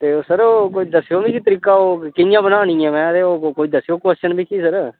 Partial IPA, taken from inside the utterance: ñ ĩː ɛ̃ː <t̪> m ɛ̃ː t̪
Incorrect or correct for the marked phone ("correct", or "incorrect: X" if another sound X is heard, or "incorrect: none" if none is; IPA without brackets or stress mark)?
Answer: incorrect: none